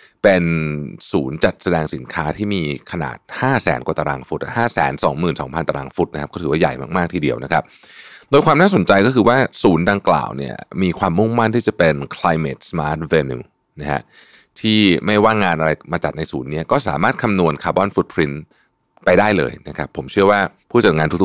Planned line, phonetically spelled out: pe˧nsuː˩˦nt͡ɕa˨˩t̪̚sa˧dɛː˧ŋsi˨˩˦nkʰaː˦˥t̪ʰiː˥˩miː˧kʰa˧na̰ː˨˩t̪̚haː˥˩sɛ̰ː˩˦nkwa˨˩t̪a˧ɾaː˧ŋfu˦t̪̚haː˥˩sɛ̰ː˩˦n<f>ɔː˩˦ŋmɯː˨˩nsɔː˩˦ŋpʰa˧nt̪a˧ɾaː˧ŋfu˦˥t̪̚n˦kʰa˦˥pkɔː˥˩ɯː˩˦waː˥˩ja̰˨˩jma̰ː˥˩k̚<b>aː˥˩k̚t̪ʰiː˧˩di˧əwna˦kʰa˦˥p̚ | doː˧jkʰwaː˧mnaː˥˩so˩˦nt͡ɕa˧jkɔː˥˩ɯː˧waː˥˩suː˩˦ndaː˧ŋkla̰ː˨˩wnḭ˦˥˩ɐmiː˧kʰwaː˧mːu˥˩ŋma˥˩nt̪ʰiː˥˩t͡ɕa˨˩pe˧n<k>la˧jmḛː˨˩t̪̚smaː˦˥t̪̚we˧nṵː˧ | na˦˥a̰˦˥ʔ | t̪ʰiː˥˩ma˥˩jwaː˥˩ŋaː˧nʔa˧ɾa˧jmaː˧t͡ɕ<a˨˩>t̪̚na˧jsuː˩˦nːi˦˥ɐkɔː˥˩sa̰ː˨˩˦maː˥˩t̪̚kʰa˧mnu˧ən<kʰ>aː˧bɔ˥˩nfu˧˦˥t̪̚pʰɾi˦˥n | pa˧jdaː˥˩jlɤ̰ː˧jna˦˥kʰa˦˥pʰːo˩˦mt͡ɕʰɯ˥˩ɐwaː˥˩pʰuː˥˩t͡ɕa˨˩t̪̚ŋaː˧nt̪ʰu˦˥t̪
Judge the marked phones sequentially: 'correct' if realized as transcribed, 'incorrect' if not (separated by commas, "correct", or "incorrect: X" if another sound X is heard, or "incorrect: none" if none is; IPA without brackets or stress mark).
incorrect: s, incorrect: m, incorrect: kʰ, correct, correct